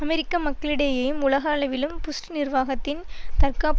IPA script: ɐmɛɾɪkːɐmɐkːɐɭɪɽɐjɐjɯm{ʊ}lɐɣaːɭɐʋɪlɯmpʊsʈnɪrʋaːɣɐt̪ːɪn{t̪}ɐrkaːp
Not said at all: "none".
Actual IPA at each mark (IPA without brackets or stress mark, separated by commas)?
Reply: ʊ, t̪